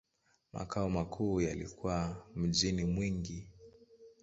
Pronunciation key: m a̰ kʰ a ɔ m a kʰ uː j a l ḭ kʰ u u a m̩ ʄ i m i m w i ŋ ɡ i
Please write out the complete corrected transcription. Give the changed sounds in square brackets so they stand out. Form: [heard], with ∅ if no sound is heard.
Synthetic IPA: m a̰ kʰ a ɔ m a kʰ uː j a l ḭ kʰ u [w] a m̩ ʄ i [n] i m w i ŋ ɡ i

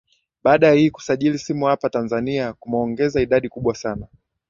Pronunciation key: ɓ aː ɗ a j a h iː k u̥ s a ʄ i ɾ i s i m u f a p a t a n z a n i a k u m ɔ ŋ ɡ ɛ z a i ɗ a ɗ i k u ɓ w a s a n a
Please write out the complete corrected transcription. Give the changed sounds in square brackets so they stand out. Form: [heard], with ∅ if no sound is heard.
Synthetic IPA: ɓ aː ɗ a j a h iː k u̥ s a ʄ i [l] i s i m u [h] a p a t a n z a n i a k u m ɔ ŋ ɡ ɛ z a i ɗ a ɗ i k u ɓ w a s a n a

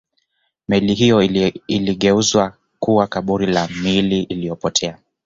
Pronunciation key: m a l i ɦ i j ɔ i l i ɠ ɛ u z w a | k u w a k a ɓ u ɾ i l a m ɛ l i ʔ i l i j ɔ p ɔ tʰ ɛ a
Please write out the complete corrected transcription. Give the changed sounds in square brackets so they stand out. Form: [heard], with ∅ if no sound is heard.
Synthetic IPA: m [ɛ] l i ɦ i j ɔ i l i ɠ ɛ u z w a | k u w a k a ɓ u ɾ i l a m [i] l i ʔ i l i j ɔ p ɔ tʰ ɛ a

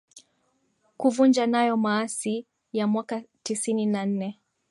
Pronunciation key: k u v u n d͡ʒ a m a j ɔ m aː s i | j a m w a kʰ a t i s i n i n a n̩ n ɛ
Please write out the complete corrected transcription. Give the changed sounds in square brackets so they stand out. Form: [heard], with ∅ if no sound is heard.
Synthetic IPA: k u v u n d͡ʒ a [n] a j ɔ m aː s i | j a m w a [k] a t i s i n i n a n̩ n ɛ

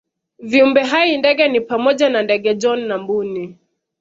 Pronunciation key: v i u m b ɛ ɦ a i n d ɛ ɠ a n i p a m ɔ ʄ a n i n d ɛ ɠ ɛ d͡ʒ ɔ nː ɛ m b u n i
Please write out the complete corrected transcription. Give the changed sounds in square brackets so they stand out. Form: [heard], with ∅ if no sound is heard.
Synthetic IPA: v i u m b ɛ ɦ a i n d ɛ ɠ [ɛ] n i p a m ɔ ʄ a n [a] n d ɛ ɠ ɛ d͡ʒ ɔ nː [a] m b u n i

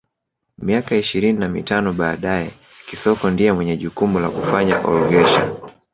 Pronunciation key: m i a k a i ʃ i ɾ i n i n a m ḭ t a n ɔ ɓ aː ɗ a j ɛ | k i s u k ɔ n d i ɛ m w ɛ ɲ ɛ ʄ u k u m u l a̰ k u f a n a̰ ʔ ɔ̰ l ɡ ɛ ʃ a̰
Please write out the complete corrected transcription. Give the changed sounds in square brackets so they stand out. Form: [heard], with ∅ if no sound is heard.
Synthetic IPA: m i a k a i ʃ i ɾ i n i n a m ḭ t a n ɔ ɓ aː ɗ a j ɛ | k i s [ɔ] k ɔ n d i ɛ m w ɛ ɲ ɛ ʄ u k u m u l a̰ k u f a [ɲ] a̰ ʔ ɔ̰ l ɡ ɛ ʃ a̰

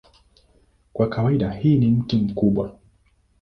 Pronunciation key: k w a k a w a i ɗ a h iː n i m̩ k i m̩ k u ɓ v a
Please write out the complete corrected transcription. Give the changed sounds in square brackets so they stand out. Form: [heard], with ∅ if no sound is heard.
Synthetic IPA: k w a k a w a i ɗ a h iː n i m̩ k i m̩ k u ɓ [w] a

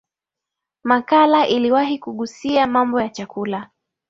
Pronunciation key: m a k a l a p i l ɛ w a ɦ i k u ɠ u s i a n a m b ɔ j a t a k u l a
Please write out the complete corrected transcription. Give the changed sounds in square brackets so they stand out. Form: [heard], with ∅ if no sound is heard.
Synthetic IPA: m a k a l a [ʔ] i l [i] w a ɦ i k u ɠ u s i a [m] a m b ɔ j a [t͡ʃ] a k u l a

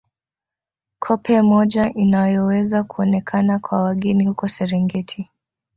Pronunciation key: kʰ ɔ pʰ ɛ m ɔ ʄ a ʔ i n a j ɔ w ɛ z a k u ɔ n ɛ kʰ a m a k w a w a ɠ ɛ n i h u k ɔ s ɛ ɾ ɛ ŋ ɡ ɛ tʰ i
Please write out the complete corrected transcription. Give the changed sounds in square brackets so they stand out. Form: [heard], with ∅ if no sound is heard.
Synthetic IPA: kʰ ɔ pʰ ɛ m ɔ ʄ a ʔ i n a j ɔ w ɛ z a k u ɔ n ɛ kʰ a [n] a k w a w a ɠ ɛ n i h u k ɔ s ɛ ɾ ɛ ŋ ɡ ɛ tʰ i

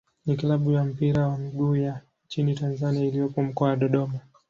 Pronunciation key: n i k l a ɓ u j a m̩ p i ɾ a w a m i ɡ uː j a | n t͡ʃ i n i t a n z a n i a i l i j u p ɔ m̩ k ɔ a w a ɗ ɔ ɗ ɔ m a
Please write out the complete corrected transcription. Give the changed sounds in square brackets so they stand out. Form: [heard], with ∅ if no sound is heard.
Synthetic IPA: n i k l a ɓ u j a m̩ p i ɾ a w a m i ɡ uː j a | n t͡ʃ i n i t a n z a n i a i l i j [ɔ] p ɔ m̩ k ɔ a w a ɗ ɔ ɗ ɔ m a

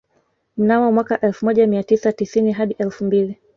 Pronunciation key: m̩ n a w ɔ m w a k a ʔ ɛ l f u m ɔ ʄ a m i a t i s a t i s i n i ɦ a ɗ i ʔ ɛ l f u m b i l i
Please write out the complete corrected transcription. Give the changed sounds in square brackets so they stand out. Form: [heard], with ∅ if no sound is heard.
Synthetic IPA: m̩ n a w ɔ m w a k a ʔ ɛ l f u m ɔ ʄ a m i a t i s a t i s i n i ɦ a ɗ i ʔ ɛ l f u m b i l i

